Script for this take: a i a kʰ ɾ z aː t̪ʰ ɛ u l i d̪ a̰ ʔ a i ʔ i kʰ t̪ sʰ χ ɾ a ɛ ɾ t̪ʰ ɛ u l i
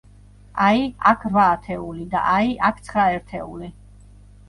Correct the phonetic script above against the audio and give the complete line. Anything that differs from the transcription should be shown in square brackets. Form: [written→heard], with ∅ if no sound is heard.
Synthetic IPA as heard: a i a kʰ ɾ [z→v] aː t̪ʰ ɛ u l i d̪ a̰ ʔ a i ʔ [i→a] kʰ t̪ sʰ χ ɾ a ɛ ɾ t̪ʰ ɛ u l i

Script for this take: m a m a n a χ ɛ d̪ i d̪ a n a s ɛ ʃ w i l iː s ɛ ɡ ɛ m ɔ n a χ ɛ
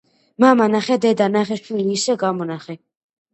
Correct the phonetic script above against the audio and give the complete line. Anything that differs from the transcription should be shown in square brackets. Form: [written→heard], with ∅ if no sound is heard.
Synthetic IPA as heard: m a m a n a χ ɛ d̪ [i→ɛ] d̪ a n a [s→χ] ɛ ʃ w i l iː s ɛ ɡ [ɛ→a] m ɔ n a χ ɛ

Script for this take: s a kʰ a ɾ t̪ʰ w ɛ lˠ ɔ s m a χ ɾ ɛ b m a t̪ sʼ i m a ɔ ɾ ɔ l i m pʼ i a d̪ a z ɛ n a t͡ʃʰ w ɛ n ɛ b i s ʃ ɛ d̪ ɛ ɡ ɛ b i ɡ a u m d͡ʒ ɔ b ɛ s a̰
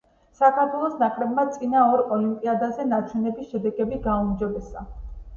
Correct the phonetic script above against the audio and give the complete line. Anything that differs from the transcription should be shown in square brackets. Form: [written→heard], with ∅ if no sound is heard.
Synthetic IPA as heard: s a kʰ a ɾ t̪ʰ w ɛ lˠ ɔ s [m→n] a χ ɾ ɛ b m a t̪ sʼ i [m→n] a ɔ ɾ ɔ l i m pʼ i a d̪ a z ɛ n a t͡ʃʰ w ɛ n ɛ b i s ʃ ɛ d̪ ɛ ɡ ɛ b i ɡ a u m d͡ʒ ɔ b ɛ s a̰

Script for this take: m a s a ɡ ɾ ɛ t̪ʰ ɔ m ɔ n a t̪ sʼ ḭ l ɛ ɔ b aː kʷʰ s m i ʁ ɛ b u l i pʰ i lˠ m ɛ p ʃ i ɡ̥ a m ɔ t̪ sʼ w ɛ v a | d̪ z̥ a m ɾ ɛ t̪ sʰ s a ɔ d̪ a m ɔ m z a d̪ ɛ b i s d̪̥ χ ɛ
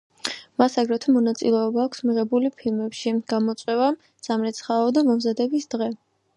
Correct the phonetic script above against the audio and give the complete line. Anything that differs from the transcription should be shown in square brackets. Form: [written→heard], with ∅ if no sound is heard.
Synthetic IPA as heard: m a s a ɡ ɾ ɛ t̪ʰ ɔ m ɔ n a t̪ sʼ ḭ l ɛ ɔ b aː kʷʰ s m i ʁ ɛ b u l i pʰ i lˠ m ɛ p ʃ i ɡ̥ a m ɔ t̪ sʼ w ɛ v a | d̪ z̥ a m ɾ ɛ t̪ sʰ [s→χ] a ɔ d̪ a m ɔ m z a d̪ ɛ b i s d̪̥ [χ→ʁ] ɛ

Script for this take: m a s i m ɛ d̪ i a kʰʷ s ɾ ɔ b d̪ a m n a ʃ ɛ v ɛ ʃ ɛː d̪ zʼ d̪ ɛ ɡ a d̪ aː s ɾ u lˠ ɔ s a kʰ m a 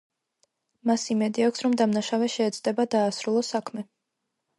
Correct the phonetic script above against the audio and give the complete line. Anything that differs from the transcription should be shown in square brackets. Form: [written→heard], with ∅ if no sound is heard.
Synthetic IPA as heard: m a s i m ɛ d̪ i a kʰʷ s ɾ ɔ [b→m] d̪ a m n a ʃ [ɛ→a] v ɛ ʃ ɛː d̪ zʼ d̪ ɛ [ɡ→b] a d̪ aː s ɾ u lˠ ɔ s a kʰ m [a→ɛ]

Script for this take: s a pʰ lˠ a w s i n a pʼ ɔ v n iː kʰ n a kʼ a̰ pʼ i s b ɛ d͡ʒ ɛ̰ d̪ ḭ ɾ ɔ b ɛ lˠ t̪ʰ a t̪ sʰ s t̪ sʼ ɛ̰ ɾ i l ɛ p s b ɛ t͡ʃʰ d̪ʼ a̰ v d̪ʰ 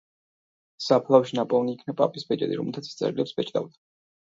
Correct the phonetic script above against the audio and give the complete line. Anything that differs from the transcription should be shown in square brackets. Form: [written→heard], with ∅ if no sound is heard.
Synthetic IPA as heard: s a pʰ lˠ a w [s→ʃ] i n a pʼ ɔ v n iː kʰ n a [kʼ→pʼ] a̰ pʼ i s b ɛ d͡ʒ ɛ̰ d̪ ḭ ɾ ɔ [b→m] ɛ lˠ t̪ʰ a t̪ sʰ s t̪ sʼ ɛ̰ ɾ i l ɛ p s b ɛ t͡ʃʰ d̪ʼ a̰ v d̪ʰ

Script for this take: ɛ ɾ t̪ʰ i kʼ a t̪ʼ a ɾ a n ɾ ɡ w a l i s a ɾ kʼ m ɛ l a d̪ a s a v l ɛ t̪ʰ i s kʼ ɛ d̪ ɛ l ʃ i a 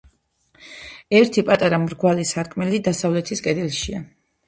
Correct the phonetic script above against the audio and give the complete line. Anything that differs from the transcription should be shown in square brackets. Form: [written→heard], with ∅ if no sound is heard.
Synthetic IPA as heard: ɛ ɾ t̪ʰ i [kʼ→pʼ] a t̪ʼ a ɾ a [n→m] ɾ ɡ w a l i s a ɾ kʼ m ɛ l [a→i] d̪ a s a v l ɛ t̪ʰ i s kʼ ɛ d̪ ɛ l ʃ i a

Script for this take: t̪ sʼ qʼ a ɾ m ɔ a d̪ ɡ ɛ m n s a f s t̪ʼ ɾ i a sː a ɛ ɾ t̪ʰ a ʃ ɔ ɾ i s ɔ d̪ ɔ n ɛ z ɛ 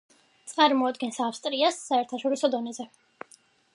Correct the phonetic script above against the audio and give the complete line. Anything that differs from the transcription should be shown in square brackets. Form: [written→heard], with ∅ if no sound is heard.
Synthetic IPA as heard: t̪ sʼ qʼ a ɾ m ɔ a d̪ ɡ ɛ [m→∅] n s a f s t̪ʼ ɾ i a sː a ɛ ɾ t̪ʰ a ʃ ɔ ɾ i s ɔ d̪ ɔ n ɛ z ɛ

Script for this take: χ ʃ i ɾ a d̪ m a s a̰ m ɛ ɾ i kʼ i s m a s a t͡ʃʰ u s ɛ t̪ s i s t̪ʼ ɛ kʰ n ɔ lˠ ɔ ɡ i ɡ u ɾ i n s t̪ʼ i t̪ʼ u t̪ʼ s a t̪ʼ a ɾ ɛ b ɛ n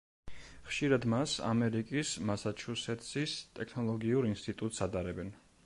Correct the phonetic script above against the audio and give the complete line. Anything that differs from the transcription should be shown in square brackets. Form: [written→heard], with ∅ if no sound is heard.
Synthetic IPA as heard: χ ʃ i ɾ a d̪ m a s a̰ m ɛ ɾ i kʼ i s m a s a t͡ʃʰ u s ɛ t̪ s i s t̪ʼ ɛ kʰ n ɔ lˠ ɔ ɡ i [ɡ→∅] u ɾ i n s t̪ʼ i t̪ʼ u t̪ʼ s a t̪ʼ a ɾ ɛ b ɛ n

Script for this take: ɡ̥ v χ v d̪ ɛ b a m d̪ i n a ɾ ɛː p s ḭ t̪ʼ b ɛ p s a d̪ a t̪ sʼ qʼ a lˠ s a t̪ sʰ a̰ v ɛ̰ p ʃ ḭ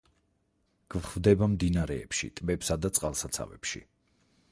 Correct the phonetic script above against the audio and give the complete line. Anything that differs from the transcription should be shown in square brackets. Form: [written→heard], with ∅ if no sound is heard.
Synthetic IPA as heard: ɡ̥ v χ v d̪ ɛ b a m d̪ i n a ɾ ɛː p [s→ʃ] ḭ t̪ʼ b ɛ p s a d̪ a t̪ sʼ qʼ a lˠ s a t̪ sʰ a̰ v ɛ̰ p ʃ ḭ

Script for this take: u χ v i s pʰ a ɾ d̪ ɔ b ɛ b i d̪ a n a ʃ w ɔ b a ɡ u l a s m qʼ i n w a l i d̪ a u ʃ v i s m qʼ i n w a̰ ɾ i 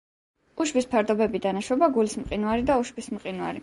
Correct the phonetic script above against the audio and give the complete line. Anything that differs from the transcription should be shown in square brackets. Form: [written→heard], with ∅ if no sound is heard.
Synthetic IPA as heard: u [χ→ʃ] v i s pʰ a ɾ d̪ ɔ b ɛ b i d̪ a n a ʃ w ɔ b a ɡ u l [a→i] s m qʼ i n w a [l→ɾ] i d̪ a u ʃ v i s m qʼ i n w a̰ ɾ i

